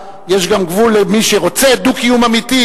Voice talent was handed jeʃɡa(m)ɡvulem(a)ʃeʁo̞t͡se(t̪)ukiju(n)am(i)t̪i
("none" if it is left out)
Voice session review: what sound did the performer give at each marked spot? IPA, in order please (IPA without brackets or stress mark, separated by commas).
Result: m, i, d̪, m, i